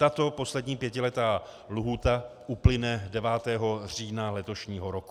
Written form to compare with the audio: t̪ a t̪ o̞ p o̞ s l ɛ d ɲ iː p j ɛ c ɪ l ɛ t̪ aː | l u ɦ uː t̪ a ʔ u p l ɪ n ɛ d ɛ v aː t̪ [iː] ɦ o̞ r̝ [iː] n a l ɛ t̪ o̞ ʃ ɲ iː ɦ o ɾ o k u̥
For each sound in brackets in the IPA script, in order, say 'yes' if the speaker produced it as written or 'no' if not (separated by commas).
no, yes